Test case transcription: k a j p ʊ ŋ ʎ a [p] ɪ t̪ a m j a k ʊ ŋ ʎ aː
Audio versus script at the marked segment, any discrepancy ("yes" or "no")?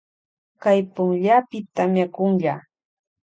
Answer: no